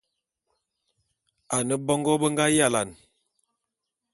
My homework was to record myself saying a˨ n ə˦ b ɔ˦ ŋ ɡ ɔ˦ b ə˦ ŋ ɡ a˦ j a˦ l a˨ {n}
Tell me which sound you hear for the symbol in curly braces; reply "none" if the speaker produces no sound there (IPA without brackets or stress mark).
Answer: n